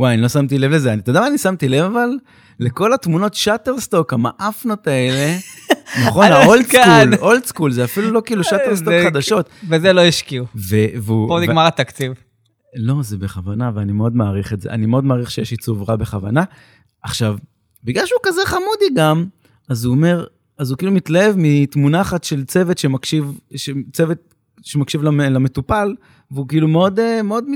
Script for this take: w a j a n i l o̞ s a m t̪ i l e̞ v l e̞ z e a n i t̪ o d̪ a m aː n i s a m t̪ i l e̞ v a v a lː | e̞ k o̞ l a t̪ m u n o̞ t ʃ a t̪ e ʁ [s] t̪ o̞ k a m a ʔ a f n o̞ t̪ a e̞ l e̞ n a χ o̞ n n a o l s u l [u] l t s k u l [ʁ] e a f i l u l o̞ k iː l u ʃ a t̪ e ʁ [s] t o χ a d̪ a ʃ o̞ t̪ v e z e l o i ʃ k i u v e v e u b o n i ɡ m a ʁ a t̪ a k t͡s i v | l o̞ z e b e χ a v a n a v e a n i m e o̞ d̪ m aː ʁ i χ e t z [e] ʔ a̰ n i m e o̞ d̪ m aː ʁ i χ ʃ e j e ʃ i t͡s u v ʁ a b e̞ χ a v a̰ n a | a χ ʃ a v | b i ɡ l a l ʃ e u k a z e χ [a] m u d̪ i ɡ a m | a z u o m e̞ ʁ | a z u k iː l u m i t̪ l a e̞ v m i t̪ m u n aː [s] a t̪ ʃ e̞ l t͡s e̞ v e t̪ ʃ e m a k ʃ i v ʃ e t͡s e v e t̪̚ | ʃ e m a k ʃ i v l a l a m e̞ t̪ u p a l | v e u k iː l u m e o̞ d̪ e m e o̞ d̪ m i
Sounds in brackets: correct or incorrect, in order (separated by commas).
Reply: correct, incorrect, incorrect, correct, correct, correct, incorrect